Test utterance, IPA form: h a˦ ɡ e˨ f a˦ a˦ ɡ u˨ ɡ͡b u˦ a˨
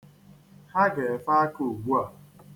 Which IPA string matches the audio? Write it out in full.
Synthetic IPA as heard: h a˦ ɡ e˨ f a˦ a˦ k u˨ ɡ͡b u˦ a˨

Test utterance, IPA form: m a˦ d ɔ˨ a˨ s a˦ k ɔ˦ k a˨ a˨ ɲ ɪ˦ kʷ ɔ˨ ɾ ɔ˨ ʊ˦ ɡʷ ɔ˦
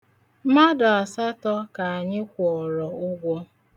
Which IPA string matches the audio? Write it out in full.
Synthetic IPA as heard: m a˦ d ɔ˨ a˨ s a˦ t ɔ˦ k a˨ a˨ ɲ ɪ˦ kʷ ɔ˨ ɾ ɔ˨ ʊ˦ ɡʷ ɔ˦

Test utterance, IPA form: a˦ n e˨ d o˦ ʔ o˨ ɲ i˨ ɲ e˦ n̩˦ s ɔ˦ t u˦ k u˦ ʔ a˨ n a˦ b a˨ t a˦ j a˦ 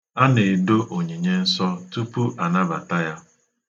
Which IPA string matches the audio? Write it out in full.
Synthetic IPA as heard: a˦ n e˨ d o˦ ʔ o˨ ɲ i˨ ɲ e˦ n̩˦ s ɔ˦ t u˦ p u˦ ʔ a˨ n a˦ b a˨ t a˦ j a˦

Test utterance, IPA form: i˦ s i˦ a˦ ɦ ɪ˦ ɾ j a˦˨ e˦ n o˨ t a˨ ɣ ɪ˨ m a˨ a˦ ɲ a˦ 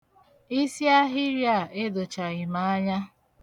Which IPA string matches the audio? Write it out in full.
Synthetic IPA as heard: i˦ s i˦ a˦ ɦ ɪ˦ ɾ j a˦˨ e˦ d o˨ t͡ʃ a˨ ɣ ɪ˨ m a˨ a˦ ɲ a˦

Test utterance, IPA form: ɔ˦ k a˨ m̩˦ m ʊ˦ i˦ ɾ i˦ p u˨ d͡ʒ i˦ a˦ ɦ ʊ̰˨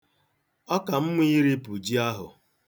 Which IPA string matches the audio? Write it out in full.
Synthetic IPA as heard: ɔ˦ k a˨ m̩˦ m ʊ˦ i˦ ɾ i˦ p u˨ d͡ʒ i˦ a˦ ɦ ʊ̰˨

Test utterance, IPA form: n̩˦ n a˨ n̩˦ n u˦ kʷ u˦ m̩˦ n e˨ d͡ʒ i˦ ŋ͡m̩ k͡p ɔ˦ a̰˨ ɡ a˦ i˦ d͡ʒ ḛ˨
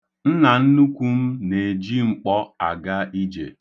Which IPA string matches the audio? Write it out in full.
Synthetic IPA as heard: n̩˦ n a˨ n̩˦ n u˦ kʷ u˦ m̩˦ n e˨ d͡ʒ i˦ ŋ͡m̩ k͡p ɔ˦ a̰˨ ɡ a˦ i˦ d͡ʒ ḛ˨

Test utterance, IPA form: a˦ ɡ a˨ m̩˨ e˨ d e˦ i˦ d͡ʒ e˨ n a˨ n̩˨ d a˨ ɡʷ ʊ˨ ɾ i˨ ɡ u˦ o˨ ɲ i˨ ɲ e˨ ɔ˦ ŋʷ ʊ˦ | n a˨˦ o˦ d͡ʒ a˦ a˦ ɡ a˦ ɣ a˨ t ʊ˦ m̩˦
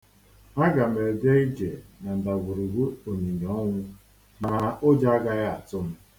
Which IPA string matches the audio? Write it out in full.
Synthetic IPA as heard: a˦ ɡ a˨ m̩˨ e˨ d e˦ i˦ d͡ʒ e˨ n a˨ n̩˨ d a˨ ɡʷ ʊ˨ ɾ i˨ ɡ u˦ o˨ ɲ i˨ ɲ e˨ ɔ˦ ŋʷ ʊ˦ | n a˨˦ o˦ d͡ʒ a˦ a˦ ɡ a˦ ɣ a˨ t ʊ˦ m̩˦

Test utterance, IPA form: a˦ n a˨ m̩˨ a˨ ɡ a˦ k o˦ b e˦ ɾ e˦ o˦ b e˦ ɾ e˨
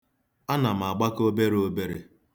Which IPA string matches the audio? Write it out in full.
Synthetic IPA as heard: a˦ n a˨ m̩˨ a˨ ɡ͡b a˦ k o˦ b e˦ ɾ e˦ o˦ b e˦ ɾ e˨

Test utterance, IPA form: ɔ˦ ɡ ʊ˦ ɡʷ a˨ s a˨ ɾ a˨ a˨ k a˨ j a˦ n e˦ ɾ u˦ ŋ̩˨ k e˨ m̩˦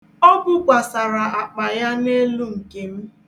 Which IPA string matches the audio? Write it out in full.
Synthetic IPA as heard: ɔ˦ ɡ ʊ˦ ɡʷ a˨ s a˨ ɾ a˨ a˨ k͡p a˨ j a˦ n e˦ l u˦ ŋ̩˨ k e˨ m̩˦

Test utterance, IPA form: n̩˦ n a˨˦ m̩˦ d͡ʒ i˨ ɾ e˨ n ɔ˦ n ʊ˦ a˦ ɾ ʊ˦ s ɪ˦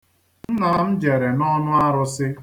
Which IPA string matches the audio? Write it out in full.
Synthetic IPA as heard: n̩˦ n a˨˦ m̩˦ d͡ʒ e˨ ɾ e˨ n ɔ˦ n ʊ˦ a˦ ɾ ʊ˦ s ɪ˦

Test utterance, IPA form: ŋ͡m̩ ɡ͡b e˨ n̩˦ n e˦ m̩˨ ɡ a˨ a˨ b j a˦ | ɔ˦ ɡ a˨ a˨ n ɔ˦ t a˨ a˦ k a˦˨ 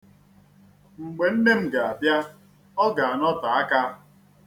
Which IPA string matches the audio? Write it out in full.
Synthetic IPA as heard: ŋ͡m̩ ɡ͡b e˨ n̩˦ n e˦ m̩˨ ɡ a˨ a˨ b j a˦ | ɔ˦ ɡ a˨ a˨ n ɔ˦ t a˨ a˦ k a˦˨

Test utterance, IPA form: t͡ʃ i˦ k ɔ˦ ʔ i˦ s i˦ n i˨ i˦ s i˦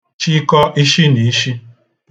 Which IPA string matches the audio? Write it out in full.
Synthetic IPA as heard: t͡ʃ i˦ k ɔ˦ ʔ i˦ ʃ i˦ n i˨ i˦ ʃ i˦

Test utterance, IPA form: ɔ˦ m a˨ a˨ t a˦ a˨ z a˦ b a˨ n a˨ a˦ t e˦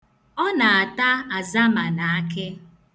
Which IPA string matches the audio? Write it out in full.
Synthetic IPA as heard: ɔ˦ n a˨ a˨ t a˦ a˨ z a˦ m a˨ n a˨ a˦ k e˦

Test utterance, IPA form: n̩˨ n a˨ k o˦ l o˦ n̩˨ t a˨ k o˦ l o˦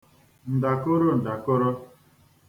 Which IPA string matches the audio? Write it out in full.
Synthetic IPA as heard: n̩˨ d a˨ k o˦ ɾ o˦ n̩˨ d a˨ k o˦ ɾ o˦

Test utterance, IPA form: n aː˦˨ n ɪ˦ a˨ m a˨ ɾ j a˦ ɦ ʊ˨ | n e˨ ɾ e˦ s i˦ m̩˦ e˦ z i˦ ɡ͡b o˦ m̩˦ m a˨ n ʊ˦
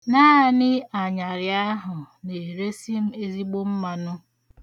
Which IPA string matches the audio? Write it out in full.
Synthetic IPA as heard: n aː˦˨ n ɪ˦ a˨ ɲ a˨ ɾ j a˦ ɦ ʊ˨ | n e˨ ɾ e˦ s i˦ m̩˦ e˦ z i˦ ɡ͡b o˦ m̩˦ m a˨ n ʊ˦

